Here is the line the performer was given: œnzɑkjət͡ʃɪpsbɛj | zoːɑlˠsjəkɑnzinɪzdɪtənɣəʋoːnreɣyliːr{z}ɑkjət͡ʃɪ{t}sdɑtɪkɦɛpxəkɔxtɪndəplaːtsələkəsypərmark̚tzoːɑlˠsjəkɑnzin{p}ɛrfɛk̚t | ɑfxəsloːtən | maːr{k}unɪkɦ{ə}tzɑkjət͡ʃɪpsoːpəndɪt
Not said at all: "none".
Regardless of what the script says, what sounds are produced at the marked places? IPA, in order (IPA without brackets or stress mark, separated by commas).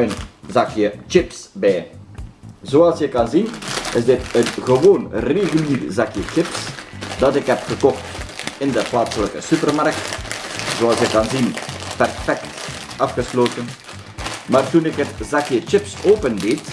z, p, p, t, ə